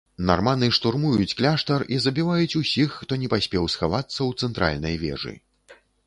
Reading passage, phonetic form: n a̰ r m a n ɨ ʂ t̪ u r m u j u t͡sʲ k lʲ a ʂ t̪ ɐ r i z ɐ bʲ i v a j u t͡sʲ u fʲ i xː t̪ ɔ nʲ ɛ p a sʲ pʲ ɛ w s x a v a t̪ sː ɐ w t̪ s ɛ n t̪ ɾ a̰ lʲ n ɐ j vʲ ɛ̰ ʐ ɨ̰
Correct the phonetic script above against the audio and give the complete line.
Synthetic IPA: n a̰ r m a n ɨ ʂ t̪ u r m u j u t͡sʲ k lʲ a ʂ t̪ ɐ r i z ɐ bʲ i v a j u t͡sʲ u sʲ i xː t̪ ɔ nʲ ɛ p a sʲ pʲ ɛ w s x a v a t̪ sː ɐ w t̪ s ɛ n t̪ ɾ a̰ lʲ n ɐ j vʲ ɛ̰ ʐ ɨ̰

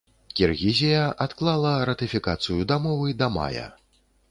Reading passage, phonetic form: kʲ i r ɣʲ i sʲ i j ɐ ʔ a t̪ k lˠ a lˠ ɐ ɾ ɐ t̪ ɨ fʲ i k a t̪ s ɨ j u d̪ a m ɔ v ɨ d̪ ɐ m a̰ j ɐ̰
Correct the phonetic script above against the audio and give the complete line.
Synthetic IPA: kʲ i r ɣʲ i zʲ i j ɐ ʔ a t̪ k lˠ a lˠ ɐ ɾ ɐ t̪ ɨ fʲ i k a t̪ s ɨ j u d̪ a m ɔ v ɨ d̪ ɐ m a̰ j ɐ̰

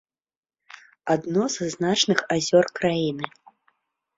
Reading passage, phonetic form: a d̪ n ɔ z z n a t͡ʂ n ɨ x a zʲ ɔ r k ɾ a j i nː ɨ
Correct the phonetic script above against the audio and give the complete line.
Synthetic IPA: a d̪ n ɔ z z n a t͡ʂ n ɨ x a zʲ ɔ r k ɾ a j i n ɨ

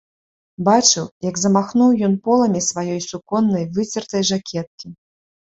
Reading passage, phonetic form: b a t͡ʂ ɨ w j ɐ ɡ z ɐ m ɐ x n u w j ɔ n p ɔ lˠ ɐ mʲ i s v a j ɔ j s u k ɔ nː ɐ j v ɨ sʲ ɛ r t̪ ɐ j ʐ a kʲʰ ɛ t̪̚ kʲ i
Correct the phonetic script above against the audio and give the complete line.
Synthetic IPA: b a t͡ʂ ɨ w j ɐ ɡ z ɐ m a x n u w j ɔ n p ɔ lˠ ɐ mʲ i s v a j ɔ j s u k ɔ nː ɐ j v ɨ t͡sʲ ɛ r t̪ ɐ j ʐ a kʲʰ ɛ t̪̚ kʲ i

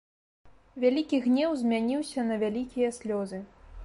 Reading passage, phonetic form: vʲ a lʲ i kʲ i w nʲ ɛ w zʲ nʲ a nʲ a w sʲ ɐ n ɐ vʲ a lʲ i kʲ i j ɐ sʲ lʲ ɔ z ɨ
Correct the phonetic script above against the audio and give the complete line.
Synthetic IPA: vʲ a lʲ i kʲ i ɣ nʲ ɛ w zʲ mʲ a nʲ i w sʲ ɐ n ɐ vʲ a lʲ i kʲ i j ɐ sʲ lʲ ɔ z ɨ

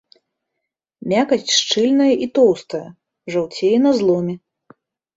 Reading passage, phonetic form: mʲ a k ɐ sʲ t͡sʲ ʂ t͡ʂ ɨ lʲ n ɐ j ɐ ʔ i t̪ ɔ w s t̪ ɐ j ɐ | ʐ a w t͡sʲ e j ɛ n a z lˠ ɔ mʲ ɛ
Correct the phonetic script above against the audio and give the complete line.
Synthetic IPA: mʲ a k ɐ sʲ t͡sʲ ʂ t͡ʂ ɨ lʲ n ɐ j ɐ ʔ i t̪ ɔ w s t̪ ɐ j ɐ | ʐ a w t͡sʲ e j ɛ n ɐ z lˠ ɔ mʲ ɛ

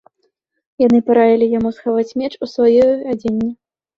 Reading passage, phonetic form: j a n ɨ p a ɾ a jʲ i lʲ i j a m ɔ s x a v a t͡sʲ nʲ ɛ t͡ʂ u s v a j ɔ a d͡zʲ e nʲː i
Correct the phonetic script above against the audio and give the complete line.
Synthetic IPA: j a n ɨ p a ɾ a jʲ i lʲ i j a m u s x a v a t͡sʲ mʲ ɛ t͡ʂ u s v a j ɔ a d͡zʲ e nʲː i

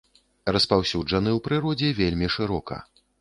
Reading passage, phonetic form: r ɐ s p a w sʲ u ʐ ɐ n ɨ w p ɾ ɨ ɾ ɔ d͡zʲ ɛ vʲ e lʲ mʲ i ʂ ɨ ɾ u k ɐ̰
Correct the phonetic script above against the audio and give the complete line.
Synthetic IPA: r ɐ s p a w sʲ u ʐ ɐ n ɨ w p ɾ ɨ ɾ ɔ d͡zʲ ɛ vʲ e lʲ mʲ i ʂ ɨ ɾ ɔ k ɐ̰

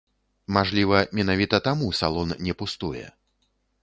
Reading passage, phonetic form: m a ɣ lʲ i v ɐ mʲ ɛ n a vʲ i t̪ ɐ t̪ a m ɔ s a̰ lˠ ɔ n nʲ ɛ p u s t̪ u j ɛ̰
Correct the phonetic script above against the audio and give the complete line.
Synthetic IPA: m a ʐ lʲ i v ɐ mʲ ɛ n a vʲ i t̪ ɐ t̪ a m u s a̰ lˠ ɔ n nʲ ɛ p u s t̪ u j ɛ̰

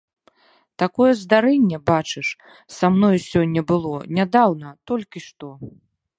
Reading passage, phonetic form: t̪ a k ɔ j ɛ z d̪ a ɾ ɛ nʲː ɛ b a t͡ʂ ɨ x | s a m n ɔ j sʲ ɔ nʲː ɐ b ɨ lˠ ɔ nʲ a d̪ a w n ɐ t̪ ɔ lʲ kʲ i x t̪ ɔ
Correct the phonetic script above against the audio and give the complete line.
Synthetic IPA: t̪ a k ɔ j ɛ z d̪ a ɾ ɛ nʲː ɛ b a t͡ʂ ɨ ʂ | s a m n ɔ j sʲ ɔ nʲː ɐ b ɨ lˠ ɔ nʲ a d̪ a w n ɐ t̪ ɔ lʲ kʲ i ʂ t̪ ɔ

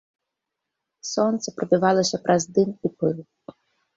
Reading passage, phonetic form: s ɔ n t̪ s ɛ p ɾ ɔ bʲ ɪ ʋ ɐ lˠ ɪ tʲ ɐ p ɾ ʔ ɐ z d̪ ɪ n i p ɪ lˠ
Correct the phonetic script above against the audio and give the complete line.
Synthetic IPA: s ɔ n t̪ s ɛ p ɾ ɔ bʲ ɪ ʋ ɑ lˠ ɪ sʲ ɐ p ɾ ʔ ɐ z d̪ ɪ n i p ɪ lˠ

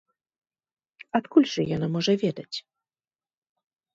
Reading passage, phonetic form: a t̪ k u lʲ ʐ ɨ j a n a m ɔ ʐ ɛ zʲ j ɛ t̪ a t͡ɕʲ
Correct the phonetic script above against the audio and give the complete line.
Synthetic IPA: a t̪ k u lʲ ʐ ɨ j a n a m ɔ ʐ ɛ vʲ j ɛ d̪ a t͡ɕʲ

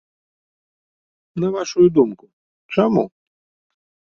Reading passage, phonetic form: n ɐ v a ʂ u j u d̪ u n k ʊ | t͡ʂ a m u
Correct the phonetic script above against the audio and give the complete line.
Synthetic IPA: n ɐ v a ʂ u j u d̪ u m k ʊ | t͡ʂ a m u

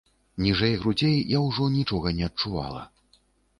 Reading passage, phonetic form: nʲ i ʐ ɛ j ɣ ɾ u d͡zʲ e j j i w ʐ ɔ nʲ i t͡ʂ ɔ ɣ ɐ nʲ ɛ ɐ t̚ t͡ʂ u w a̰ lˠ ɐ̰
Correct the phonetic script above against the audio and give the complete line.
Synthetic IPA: nʲ i ʐ ɛ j ɣ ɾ u d͡zʲ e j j a w ʐ ɔ nʲ i t͡ʂ ɔ ɣ ɐ nʲ ɛ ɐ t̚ t͡ʂ u v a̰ lˠ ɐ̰

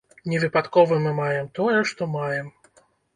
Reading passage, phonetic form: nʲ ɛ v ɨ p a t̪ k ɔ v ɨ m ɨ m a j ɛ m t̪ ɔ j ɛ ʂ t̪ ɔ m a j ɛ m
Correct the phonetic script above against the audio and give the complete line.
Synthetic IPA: nʲ ɛ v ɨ p a t̪ k ɔ v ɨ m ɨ m a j ɛ m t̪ ɔ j ɛ ʂ t̪ ɔ m a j ɛ m

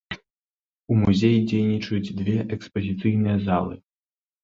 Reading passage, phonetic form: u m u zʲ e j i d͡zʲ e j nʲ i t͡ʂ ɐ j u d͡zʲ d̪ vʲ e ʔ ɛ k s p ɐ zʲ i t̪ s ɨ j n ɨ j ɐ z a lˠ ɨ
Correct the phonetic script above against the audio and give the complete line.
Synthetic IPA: u m u zʲ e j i d͡zʲ e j nʲ i t͡ʂ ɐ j u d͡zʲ d̪ vʲ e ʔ ɛ k s p ɐ zʲ i t̪ s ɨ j n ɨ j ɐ z a lˠ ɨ

